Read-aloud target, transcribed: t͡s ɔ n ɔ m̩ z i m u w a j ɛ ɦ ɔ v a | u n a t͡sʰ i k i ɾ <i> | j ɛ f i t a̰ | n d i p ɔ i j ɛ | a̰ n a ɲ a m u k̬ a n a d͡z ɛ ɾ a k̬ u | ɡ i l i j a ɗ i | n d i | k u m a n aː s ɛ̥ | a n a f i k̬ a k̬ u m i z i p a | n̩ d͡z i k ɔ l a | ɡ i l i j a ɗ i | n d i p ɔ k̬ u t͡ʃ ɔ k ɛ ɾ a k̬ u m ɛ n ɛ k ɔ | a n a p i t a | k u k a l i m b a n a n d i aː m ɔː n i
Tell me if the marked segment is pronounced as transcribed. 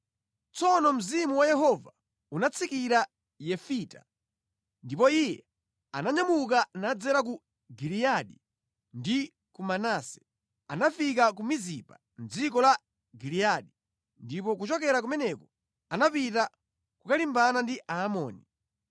no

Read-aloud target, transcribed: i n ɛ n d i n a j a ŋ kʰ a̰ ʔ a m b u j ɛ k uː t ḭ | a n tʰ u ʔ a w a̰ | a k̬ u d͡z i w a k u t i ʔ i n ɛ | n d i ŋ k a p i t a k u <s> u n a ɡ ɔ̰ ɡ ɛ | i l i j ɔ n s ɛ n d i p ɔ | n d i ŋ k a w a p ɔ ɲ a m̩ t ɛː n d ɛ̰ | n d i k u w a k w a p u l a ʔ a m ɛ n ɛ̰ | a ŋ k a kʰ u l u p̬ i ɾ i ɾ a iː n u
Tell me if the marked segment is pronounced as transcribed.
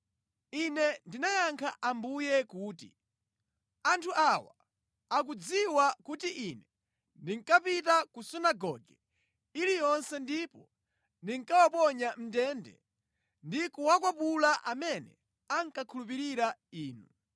yes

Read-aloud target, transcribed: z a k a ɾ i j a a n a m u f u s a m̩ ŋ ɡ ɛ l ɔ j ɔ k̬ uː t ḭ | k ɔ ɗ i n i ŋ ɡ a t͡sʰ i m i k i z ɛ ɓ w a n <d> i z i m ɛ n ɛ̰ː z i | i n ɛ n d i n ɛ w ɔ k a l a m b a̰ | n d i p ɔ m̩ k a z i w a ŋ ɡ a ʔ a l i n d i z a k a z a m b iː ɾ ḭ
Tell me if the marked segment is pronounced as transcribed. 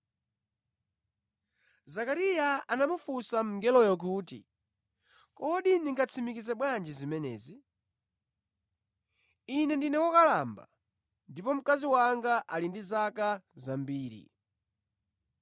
no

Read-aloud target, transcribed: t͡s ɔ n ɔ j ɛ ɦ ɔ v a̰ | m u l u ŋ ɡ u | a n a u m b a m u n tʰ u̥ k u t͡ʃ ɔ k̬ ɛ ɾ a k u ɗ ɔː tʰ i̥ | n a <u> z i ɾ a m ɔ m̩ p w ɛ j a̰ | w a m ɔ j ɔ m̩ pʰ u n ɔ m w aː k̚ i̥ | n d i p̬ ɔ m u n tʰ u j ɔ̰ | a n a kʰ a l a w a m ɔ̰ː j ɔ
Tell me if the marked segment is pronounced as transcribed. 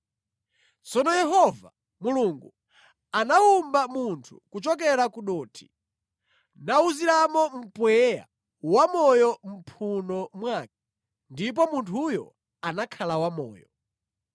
yes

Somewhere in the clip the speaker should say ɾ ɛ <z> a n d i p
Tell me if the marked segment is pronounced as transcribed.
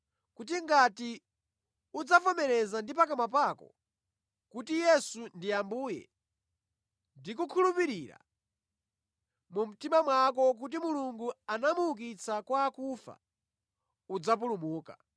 yes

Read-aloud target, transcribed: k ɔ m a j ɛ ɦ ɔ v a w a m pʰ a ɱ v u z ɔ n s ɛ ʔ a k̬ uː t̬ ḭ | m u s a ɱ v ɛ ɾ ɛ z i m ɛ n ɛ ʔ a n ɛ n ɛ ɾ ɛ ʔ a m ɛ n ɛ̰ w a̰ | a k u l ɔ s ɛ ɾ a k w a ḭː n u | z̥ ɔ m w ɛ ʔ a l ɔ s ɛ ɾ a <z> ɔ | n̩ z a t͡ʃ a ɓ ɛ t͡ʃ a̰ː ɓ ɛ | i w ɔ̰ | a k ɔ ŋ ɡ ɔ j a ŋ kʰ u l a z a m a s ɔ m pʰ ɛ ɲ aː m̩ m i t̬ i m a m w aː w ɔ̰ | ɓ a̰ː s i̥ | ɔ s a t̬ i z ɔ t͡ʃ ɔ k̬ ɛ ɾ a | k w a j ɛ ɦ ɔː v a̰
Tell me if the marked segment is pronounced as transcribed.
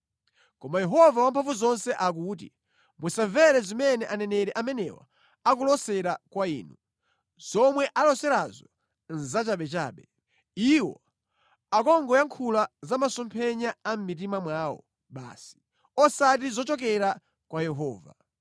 yes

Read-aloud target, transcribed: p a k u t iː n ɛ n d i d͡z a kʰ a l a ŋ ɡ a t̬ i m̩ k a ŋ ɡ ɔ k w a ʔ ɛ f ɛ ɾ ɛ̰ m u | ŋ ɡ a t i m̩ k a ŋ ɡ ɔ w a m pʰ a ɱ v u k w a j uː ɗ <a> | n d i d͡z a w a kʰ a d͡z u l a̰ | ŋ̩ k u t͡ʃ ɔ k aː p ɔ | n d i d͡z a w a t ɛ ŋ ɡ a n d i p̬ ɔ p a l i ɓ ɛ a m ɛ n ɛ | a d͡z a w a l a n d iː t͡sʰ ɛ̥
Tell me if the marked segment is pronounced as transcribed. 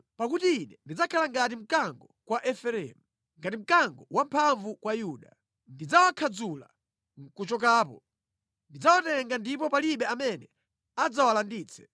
yes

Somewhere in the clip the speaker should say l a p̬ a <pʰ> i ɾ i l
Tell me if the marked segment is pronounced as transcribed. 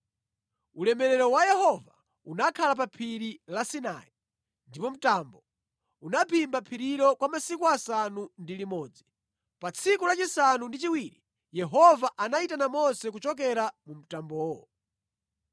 yes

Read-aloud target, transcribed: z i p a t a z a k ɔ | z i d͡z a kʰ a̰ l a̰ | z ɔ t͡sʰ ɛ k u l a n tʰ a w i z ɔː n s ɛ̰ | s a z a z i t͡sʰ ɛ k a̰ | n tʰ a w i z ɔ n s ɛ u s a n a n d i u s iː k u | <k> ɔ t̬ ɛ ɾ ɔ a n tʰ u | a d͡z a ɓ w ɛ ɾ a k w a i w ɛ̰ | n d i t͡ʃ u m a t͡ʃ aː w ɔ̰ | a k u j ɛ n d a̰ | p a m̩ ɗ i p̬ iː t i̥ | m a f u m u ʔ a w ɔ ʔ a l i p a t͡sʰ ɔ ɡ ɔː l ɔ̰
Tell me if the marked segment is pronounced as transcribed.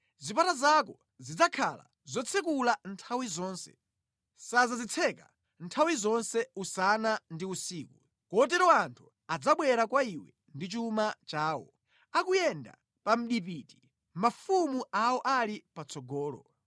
yes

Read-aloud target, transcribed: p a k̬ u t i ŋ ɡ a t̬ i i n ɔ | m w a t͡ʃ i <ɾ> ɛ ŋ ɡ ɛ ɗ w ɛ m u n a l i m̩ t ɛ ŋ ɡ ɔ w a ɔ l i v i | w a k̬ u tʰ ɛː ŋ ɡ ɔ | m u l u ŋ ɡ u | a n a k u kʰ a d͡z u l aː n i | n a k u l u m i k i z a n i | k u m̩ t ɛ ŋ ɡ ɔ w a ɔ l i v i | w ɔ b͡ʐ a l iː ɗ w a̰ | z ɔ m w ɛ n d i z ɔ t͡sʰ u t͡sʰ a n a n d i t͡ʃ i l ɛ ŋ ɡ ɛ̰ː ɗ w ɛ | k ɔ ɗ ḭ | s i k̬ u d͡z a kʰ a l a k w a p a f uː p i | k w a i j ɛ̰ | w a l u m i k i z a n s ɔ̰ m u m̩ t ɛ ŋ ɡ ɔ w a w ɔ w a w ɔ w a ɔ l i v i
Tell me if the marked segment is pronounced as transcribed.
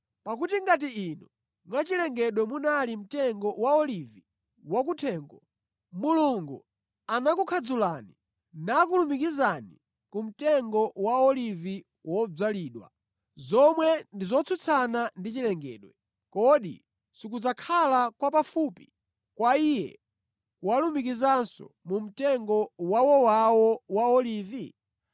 no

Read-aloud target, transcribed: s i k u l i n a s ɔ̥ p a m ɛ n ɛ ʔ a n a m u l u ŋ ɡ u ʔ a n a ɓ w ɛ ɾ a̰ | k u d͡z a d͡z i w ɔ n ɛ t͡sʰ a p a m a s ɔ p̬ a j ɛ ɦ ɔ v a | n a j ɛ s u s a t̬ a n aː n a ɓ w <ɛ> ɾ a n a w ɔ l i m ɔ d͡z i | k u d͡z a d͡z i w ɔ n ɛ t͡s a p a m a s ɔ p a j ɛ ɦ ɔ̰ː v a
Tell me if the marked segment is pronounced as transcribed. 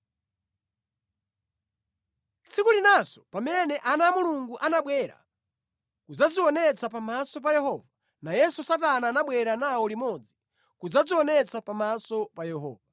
yes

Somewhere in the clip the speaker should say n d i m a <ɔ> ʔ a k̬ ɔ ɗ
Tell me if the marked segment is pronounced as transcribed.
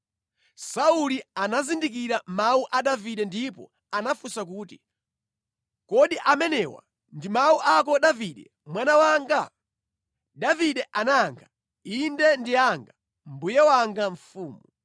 no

